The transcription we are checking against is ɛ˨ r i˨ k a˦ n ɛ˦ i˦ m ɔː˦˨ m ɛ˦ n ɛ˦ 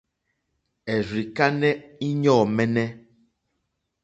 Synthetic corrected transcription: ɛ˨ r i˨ k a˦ n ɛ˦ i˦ ɲ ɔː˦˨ m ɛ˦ n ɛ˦